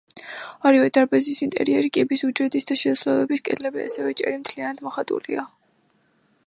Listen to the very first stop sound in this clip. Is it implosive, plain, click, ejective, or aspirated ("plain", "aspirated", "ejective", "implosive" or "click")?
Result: plain